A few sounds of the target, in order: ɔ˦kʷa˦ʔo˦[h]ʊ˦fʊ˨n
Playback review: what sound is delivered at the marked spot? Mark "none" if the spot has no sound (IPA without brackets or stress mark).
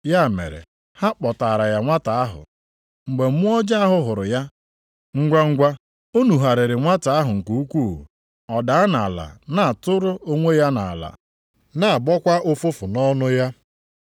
f